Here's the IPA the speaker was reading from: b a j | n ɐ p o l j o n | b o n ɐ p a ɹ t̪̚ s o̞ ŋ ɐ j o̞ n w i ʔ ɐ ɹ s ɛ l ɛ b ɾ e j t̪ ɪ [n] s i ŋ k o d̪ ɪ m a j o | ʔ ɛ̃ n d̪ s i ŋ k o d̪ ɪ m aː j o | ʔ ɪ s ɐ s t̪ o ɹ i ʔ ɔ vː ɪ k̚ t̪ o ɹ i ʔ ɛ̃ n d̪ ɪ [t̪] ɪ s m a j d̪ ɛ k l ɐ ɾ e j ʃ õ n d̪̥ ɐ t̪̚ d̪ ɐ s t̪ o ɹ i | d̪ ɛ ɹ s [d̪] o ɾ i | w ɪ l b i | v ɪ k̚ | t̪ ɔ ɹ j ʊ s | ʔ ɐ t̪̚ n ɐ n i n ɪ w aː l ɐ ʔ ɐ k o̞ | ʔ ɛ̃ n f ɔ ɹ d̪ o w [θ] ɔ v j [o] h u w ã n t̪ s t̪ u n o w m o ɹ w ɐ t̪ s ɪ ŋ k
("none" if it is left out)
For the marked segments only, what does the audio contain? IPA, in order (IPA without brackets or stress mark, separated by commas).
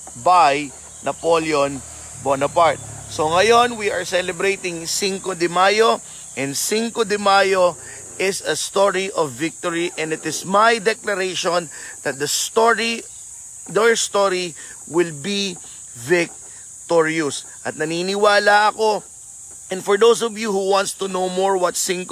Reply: ŋ, t̪, t̪, s, u